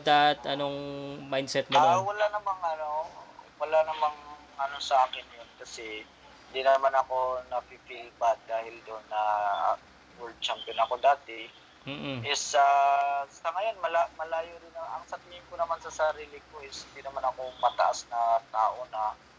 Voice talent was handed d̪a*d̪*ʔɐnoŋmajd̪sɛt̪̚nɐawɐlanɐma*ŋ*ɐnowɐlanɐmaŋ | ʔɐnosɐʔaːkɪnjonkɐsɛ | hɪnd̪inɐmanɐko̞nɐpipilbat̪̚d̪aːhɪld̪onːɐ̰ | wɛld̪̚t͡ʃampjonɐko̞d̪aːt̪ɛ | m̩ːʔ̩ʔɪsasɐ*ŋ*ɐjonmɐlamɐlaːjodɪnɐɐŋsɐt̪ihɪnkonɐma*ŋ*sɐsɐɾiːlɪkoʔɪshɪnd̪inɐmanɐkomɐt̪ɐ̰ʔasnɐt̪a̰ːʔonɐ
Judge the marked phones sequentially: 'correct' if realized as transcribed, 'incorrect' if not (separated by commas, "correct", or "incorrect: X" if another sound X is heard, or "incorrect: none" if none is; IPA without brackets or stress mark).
incorrect: t̪, correct, correct, incorrect: n